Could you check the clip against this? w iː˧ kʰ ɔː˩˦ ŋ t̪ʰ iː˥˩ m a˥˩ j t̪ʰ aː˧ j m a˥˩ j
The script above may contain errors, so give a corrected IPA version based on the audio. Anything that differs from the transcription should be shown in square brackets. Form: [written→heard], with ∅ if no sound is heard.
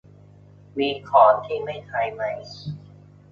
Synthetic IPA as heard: w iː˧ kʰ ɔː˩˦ [ŋ→n] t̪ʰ iː˥˩ m a˥˩ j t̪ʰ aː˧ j m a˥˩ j